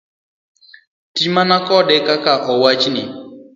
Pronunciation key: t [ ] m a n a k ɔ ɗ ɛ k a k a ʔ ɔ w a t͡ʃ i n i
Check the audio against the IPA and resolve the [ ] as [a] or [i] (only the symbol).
i